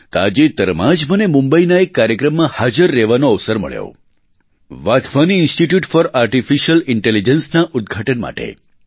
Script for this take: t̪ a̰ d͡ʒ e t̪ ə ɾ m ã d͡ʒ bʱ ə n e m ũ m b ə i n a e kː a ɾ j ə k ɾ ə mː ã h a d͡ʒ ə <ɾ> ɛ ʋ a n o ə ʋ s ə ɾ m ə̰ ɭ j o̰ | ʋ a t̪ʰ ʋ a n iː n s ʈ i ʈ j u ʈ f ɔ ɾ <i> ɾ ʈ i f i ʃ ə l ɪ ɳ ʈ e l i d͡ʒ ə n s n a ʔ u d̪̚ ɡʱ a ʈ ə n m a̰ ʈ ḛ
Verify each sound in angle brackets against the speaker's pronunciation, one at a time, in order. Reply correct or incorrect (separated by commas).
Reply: incorrect, incorrect